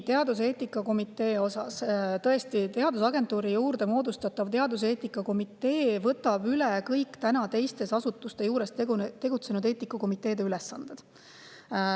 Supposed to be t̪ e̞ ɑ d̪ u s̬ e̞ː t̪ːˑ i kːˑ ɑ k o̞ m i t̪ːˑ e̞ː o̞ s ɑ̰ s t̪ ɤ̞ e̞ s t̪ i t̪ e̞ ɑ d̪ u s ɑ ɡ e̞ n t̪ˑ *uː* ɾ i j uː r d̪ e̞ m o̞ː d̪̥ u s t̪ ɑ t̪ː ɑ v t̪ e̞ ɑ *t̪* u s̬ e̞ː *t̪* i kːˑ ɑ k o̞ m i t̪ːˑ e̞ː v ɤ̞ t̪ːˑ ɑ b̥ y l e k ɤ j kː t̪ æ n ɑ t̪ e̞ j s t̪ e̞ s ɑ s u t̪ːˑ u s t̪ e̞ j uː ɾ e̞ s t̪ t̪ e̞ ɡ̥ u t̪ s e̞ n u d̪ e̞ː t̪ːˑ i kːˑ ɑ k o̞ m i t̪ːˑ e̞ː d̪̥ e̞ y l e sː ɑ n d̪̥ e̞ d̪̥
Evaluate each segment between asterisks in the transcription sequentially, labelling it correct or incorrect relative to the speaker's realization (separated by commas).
correct, incorrect, correct